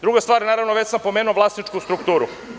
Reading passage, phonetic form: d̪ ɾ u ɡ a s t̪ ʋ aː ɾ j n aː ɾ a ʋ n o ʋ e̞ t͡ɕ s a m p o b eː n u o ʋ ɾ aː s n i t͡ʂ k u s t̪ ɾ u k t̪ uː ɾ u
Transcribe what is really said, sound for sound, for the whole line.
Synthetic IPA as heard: d̪ ɾ u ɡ a s t̪ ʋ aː ɾ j n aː ɾ a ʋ n o ʋ e̞ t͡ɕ s a m p o m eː n u o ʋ l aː s n i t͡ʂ k u s t̪ ɾ u k t̪ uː ɾ u